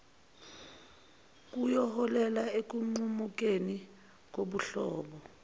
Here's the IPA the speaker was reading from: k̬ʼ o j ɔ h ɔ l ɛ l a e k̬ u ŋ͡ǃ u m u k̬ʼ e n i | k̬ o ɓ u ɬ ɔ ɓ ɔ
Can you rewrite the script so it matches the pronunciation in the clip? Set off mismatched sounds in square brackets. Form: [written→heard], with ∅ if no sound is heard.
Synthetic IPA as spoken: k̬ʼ [o→u] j ɔ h ɔ l ɛ l a e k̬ u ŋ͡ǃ u m u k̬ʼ e n i | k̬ o ɓ u ɬ [ɔ→ɔː] ɓ ɔ